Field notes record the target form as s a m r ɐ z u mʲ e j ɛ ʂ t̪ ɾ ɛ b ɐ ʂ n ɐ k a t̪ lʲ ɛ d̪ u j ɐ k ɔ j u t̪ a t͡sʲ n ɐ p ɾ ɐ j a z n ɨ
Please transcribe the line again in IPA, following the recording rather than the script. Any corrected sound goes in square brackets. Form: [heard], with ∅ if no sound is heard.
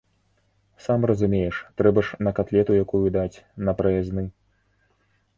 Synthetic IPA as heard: s a m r ɐ z u mʲ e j ɛ ʂ t̪ ɾ ɛ b ɐ ʂ n ɐ k a t̪ lʲ ɛ [t̪] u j [a] k [u] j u [d̪] a t͡sʲ n ɐ p ɾ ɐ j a z n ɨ

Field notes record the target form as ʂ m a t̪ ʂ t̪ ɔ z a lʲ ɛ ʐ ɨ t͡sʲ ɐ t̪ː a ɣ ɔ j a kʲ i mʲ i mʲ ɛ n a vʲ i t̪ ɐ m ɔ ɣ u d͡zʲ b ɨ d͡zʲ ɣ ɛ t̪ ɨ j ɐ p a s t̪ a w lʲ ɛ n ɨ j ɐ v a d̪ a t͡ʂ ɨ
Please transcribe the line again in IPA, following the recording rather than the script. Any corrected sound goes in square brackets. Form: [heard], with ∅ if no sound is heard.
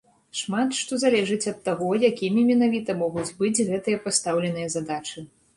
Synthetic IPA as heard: ʂ m a t̪ ʂ t̪ ɔ z a lʲ ɛ ʐ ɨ t͡sʲ ɐ t̪ː a ɣ ɔ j a kʲ i mʲ i mʲ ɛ n a vʲ i t̪ ɐ m ɔ ɣ u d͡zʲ b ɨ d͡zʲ ɣ ɛ t̪ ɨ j ɐ p a s t̪ a w lʲ ɛ n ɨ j ɐ [z] a d̪ a t͡ʂ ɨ

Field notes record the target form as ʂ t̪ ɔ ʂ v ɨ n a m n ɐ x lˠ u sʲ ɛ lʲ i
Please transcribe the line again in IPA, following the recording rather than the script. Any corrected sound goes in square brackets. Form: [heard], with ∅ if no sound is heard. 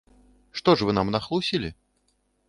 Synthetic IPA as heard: ʂ t̪ ɔ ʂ v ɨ n a m n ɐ x lˠ u sʲ [i] lʲ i

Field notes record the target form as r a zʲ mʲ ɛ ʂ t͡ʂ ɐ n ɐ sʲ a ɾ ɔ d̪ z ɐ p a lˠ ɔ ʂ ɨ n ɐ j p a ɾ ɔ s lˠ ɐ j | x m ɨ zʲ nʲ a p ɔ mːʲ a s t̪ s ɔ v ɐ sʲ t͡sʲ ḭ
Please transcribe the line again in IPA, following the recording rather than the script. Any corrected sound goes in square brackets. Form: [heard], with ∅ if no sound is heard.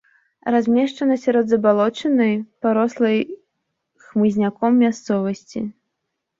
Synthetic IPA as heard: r a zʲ mʲ ɛ ʂ t͡ʂ ɐ n ɐ sʲ a ɾ ɔ d̪ z ɐ [b] a lˠ ɔ [t͡ʂ] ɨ n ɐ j p a ɾ ɔ s lˠ ɐ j | x m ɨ zʲ nʲ a [k] ɔ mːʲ a s t̪ s ɔ v ɐ sʲ t͡sʲ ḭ

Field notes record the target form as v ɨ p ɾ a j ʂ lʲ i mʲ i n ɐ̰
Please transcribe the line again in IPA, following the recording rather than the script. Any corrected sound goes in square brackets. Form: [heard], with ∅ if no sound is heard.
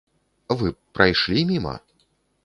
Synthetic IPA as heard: v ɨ p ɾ a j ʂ lʲ i mʲ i [m] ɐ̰

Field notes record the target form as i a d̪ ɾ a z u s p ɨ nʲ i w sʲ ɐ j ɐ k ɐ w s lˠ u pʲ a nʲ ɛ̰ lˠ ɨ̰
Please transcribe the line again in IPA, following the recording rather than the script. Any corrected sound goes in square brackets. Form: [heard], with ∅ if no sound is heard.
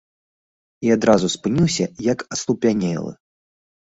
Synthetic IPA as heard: i a d̪ ɾ a z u s p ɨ nʲ i w sʲ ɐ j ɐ k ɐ [∅] s lˠ u pʲ a nʲ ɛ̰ lˠ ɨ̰

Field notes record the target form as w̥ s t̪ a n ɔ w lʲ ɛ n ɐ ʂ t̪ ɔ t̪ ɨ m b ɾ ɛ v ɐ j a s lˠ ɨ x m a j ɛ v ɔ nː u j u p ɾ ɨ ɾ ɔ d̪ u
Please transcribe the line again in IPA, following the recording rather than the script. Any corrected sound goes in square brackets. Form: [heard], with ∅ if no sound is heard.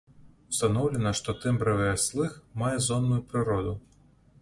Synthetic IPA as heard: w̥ s t̪ a n ɔ w lʲ ɛ n ɐ ʂ t̪ ɔ t̪ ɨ m b ɾ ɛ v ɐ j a s lˠ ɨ x m a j ɛ [z] ɔ nː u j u p ɾ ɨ ɾ ɔ d̪ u

